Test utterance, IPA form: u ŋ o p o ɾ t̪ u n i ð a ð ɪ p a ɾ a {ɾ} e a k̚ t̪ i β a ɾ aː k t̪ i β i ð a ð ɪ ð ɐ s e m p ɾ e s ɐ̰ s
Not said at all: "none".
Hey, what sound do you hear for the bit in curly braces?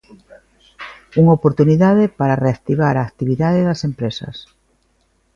r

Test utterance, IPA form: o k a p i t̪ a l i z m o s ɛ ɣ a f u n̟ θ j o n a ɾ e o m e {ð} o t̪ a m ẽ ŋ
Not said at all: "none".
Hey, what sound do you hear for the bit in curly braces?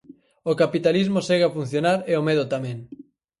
ð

